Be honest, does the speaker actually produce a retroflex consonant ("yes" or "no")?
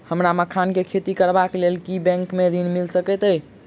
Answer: no